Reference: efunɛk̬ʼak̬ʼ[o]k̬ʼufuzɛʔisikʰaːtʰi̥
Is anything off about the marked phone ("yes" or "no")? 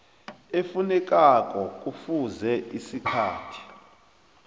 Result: yes